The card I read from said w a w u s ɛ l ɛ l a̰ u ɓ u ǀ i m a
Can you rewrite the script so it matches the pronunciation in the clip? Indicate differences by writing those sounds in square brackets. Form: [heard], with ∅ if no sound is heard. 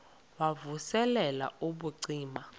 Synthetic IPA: w a [v] u s ɛ l ɛ l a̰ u ɓ u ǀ [iː] m a